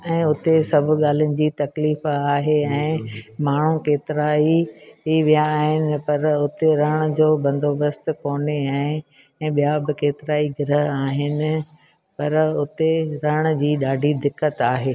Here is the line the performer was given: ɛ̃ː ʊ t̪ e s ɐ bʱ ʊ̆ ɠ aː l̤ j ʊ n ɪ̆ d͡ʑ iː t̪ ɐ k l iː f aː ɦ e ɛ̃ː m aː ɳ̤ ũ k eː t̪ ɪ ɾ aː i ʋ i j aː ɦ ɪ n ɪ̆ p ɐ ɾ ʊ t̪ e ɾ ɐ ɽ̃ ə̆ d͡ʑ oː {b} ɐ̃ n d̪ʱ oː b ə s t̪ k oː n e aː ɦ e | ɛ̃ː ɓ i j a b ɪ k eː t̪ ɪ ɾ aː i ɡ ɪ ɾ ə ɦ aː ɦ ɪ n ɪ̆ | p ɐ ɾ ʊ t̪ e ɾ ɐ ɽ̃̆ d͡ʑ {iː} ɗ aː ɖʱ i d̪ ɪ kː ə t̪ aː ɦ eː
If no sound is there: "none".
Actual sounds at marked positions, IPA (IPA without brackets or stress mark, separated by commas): b, iː